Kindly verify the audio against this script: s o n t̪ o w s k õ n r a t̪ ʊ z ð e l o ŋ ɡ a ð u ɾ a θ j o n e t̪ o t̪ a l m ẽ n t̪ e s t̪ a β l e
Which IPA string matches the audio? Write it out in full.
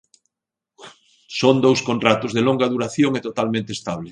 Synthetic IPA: s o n d̪ o w s k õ n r a t̪ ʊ z ð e l o ŋ ɡ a ð u ɾ a θ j o ŋ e t̪ o t̪ a l m ẽ n t̪ e s t̪ a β l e